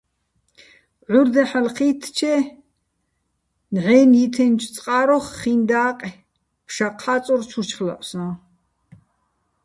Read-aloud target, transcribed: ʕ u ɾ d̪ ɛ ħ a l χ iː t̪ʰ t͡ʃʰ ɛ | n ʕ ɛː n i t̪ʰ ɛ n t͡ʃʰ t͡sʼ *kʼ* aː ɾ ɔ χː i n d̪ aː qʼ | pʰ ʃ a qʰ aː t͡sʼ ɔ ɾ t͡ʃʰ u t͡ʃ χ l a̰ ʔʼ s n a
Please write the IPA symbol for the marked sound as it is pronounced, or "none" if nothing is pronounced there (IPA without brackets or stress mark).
qʼ